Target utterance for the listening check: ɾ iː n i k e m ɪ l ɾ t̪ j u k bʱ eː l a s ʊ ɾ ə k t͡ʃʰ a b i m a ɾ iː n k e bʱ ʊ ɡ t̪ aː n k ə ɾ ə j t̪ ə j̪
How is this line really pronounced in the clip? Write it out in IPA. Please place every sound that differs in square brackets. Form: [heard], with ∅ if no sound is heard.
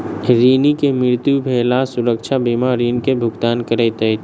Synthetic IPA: ɾ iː n i k e m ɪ [∅] ɾ t̪ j u [∅] bʱ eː l a s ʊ ɾ ə k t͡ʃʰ a b i m a ɾ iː n k e bʱ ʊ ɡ t̪ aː n k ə ɾ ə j t̪ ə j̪